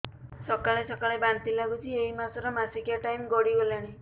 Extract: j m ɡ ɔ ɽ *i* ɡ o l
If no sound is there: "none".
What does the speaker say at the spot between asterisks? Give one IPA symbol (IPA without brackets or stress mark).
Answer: i